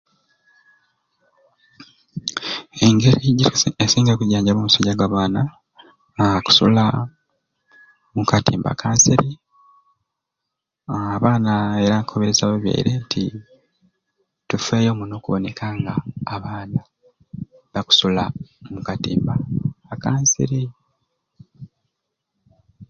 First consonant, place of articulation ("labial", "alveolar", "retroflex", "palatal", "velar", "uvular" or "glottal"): velar